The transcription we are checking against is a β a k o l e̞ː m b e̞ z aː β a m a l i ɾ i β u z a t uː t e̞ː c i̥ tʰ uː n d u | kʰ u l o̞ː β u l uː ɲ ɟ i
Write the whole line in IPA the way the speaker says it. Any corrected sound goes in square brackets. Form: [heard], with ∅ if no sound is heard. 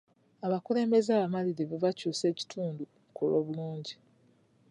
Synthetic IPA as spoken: a β a k [u] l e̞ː m b e̞ z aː β a m a l i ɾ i β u [v] a [c] uː [s] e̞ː c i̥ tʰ uː n d u | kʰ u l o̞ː β u l uː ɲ ɟ i